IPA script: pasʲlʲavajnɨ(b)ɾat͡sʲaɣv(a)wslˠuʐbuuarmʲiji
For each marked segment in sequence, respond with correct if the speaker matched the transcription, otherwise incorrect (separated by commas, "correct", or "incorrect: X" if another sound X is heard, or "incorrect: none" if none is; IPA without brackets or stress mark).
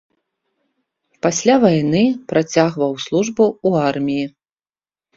incorrect: p, incorrect: ɐ